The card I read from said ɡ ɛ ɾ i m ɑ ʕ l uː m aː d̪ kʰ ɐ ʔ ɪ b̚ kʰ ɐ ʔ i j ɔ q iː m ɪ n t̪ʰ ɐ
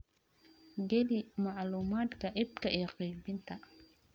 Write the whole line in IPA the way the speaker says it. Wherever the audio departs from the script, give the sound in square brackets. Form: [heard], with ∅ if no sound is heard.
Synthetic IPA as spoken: ɡ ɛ [l] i m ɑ ʕ l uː m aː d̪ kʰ ɐ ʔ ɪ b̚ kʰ ɐ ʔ i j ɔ q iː [b] ɪ n t̪ʰ ɐ